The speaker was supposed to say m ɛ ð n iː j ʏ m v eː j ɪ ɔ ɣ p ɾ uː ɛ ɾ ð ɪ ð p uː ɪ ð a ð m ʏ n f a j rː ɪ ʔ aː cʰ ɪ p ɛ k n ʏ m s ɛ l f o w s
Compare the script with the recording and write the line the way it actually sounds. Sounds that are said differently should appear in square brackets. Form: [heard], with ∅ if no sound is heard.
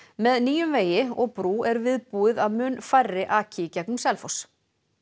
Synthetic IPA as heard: m ɛ ð n iː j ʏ m v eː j ɪ ɔ ɣ p ɾ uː ɛ ɾ [v] ɪ ð p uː ɪ ð a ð m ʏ n f a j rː ɪ ʔ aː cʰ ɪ [c] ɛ k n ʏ m s ɛ l f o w s